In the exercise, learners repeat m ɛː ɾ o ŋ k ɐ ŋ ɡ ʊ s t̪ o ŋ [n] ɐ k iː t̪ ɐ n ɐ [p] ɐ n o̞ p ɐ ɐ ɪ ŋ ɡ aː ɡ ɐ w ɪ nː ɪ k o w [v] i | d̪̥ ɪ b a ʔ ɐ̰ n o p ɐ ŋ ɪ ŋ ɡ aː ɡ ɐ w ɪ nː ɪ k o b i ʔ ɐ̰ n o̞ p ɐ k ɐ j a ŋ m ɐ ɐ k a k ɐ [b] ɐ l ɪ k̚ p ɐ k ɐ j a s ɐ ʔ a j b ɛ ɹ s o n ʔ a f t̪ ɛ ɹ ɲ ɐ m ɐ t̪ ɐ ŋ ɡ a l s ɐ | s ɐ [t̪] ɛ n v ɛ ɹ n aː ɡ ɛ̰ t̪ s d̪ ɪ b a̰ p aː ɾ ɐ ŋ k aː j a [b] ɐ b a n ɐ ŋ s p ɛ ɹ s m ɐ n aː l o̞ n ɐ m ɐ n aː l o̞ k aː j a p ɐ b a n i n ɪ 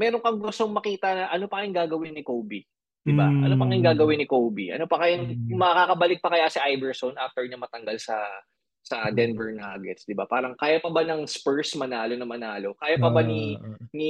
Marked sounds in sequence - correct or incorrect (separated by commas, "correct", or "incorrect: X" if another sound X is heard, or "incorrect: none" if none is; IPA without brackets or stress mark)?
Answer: incorrect: m, incorrect: ʔ, incorrect: b, correct, incorrect: d̪, incorrect: p